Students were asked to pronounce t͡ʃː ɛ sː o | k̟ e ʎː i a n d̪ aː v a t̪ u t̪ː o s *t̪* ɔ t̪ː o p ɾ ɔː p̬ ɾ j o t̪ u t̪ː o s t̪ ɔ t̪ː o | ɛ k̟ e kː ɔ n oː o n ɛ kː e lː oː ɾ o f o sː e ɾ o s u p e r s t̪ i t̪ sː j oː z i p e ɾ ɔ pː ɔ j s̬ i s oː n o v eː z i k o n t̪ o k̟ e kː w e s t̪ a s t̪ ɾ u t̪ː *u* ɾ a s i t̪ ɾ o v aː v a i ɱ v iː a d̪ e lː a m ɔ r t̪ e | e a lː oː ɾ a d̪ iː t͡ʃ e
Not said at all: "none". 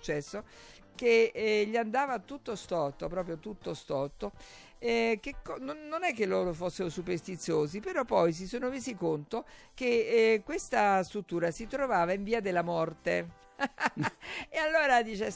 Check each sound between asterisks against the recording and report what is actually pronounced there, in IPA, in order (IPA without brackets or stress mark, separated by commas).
t̪, uː